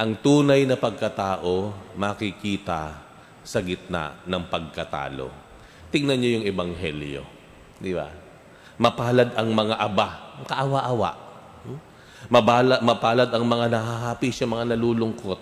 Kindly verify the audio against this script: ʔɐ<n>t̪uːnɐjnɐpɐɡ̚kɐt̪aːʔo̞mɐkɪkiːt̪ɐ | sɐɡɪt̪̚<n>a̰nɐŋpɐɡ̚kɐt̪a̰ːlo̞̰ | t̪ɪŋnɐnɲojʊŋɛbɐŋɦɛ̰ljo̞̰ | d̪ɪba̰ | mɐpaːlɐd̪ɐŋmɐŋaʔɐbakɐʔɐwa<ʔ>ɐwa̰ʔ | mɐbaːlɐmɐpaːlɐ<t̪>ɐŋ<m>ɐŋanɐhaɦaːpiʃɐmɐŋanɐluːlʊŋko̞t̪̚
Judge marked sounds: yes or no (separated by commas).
no, yes, yes, no, yes